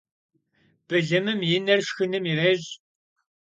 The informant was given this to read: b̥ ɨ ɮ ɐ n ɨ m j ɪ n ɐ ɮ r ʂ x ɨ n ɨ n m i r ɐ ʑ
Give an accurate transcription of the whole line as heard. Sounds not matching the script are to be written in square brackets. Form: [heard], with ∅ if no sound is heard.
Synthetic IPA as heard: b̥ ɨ ɮ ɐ [m] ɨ m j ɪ n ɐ [∅] r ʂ x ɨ n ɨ [∅] m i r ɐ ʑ